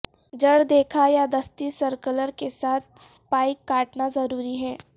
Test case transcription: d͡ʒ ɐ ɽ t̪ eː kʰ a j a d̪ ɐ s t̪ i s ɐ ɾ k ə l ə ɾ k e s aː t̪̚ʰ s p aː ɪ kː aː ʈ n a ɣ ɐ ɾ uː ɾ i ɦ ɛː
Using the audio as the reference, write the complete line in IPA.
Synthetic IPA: d͡ʒ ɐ ɽ d̪ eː kʰ a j a d̪ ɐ s t̪ i s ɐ ɾ k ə l ə ɾ k e s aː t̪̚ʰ s p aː ɪ kː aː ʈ n a z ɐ ɾ uː ɾ i ɦ ɛː

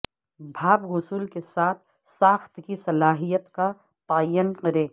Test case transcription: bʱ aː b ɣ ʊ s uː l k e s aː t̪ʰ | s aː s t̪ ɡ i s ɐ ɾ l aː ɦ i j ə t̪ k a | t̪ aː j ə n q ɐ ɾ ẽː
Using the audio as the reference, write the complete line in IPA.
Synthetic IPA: bʱ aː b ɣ ʊ s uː l k e s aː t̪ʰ | s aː x t̪ k i s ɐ l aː ɦ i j ə t̪ k a | t̪ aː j ə n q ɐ ɾ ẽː

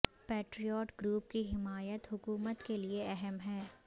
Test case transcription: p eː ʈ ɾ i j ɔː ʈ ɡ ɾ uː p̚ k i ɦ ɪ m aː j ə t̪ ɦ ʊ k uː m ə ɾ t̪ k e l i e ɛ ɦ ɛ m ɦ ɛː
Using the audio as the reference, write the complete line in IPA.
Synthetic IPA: p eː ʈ ɾ i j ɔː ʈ ɡ ɾ uː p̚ k i ɦ ɪ m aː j ə t̪ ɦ ʊ k uː m ə t̪ k e l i e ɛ ɦ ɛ m ɦ ɛː

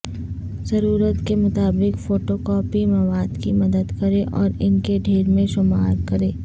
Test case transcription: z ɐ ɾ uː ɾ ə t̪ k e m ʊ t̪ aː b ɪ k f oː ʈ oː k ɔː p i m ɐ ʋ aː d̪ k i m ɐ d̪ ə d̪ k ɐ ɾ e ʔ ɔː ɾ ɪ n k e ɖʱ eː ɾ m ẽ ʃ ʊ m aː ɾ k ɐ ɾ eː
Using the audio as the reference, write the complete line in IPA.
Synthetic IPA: z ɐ ɾ uː ɾ ə t̪ k e m ʊ t̪ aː b ɪ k f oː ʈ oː k ɔː p i m ɐ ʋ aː d̪ k i m ɐ d̪ ə d̪ k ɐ ɾ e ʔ ɔː ɾ ɪ n k e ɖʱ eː ɾ m ẽ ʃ ʊ m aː ɾ k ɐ ɾ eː

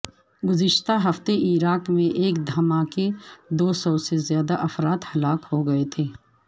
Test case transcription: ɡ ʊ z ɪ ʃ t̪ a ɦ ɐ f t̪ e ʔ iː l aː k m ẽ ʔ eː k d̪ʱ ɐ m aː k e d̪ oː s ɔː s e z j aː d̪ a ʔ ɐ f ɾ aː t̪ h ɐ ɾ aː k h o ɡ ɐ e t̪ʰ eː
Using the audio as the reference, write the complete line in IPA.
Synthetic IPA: ɡ ʊ z ɪ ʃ t̪ a ɦ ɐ f t̪ e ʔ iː ɾ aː k m ẽ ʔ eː k d̪ʱ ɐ m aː k e d̪ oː s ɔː s e z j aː d̪ a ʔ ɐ f ɾ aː t̪ h ɐ l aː k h o ɡ ɐ e t̪ʰ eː

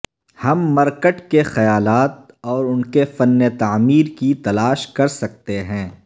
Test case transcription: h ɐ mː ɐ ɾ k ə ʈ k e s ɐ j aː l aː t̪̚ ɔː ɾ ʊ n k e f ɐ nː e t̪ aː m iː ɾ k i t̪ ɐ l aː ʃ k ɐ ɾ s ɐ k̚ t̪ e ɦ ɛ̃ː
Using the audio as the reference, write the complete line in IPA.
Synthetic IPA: h ɐ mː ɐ ɾ k ə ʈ k e x ɐ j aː l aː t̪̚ ɔː ɾ ʊ n k e f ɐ nː e t̪ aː m iː ɾ k i t̪ ɐ l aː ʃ k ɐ ɾ s ɐ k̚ t̪ e ɦ ɛ̃ː

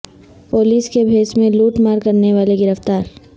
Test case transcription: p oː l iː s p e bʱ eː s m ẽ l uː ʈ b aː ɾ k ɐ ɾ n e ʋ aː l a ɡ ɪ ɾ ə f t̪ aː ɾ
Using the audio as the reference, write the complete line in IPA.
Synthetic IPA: p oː l iː s k e bʱ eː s m ẽ l uː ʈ m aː ɾ k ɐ ɾ n e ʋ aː l e ɡ ɪ ɾ ə f t̪ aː ɾ

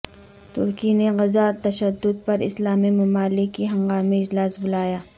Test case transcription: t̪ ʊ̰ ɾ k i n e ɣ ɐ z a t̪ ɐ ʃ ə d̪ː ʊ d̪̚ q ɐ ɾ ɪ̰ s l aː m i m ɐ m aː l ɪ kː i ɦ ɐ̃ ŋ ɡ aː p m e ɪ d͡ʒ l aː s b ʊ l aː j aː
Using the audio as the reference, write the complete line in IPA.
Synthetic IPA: t̪ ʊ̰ ɾ k i n e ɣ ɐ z a t̪ ɐ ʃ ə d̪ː ʊ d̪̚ p ɐ ɾ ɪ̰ s l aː m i m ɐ m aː l ɪ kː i ɦ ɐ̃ ŋ ɡ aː m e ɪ d͡ʒ l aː s b ʊ l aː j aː

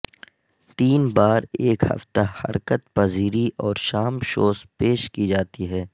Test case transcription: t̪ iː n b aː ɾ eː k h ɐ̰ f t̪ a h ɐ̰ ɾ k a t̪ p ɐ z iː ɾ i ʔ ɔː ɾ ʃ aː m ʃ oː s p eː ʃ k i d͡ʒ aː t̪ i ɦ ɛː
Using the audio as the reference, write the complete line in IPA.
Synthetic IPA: t̪ iː n b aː ɾ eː k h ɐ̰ f t̪ a h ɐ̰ ɾ k ə t̪ p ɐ z iː ɾ i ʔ ɔː ɾ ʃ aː m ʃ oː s p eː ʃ k i d͡ʒ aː t̪ i ɦ ɛː

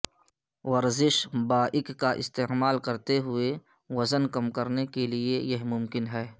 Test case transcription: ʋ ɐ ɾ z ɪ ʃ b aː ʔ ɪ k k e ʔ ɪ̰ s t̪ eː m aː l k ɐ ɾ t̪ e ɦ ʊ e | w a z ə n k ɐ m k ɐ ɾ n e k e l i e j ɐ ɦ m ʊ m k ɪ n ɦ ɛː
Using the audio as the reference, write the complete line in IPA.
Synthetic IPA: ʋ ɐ ɾ z ɪ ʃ b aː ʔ ɪ k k a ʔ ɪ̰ s t̪ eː m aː l k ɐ ɾ t̪ e ɦ ʊ e | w ɐ z ə n k ɐ m k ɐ ɾ n e k e l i e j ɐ ɦ m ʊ m k ɪ n ɦ ɛː

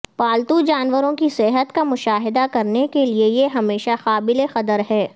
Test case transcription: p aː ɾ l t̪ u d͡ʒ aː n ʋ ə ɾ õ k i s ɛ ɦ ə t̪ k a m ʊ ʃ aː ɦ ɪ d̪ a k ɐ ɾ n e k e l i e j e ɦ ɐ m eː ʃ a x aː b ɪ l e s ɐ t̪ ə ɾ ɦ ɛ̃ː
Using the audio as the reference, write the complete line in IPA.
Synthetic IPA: p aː l t̪ u d͡ʒ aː n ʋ ə ɾ õ k i s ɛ ɦ ə t̪ k a m ʊ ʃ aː ɦ ɪ d̪ a k ɐ ɾ n e k e l i e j e ɦ ɐ m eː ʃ a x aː b ɪ l e x ɐ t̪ ə ɾ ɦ ɛː

